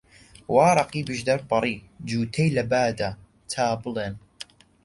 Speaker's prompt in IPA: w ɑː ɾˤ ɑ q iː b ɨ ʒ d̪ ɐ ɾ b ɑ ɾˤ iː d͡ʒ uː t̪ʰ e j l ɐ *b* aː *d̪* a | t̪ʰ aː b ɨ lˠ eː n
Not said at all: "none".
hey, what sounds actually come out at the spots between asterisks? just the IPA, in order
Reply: b, d̪

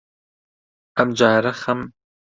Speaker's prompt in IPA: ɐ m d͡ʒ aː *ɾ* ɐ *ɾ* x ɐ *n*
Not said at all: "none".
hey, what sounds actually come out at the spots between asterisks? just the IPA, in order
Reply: ɾ, none, m

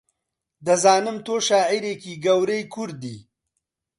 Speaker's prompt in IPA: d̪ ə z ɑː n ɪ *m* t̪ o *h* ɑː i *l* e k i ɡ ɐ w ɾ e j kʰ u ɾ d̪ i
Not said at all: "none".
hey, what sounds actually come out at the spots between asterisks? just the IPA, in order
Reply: m, ʃ, ɾ

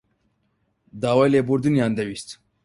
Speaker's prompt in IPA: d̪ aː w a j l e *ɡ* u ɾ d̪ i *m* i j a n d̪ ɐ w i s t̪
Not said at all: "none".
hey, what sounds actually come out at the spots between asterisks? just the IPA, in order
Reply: b, n

